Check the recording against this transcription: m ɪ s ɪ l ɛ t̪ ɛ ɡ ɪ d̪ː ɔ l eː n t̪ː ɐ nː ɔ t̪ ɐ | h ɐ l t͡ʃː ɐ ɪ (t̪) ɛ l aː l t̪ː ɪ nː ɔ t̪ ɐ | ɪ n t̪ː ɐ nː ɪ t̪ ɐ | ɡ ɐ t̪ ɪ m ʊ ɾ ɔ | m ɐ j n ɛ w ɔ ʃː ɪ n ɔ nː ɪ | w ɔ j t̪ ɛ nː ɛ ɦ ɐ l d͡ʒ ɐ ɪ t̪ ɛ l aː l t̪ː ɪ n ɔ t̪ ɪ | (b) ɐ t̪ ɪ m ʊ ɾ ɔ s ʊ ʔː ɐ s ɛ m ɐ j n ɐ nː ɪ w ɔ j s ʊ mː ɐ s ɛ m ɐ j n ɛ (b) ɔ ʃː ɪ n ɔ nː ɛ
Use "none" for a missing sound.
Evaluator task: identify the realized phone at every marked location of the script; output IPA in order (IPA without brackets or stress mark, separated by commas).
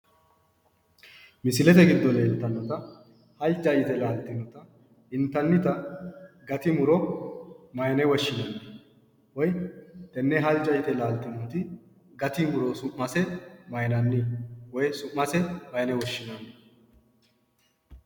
t̪, ɡ, w